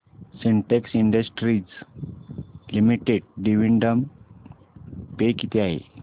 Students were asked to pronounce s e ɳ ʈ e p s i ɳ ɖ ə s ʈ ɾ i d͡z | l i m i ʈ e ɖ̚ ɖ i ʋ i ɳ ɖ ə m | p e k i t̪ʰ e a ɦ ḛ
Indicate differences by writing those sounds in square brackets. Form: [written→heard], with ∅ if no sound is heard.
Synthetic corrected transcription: s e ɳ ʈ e [p→k] s i ɳ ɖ ə s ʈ ɾ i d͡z | l i m i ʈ e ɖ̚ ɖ i ʋ i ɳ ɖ ə m | p e k i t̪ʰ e a ɦ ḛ